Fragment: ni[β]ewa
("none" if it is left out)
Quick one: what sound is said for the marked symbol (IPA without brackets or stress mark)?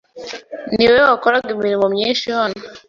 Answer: w